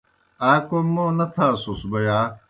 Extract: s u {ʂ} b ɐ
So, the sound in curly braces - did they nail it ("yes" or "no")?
no